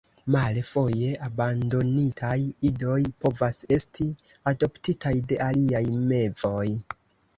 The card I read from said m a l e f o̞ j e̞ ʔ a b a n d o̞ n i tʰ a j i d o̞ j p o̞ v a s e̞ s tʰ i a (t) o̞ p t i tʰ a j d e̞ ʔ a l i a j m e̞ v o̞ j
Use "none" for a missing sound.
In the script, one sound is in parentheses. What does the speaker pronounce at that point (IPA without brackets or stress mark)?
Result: d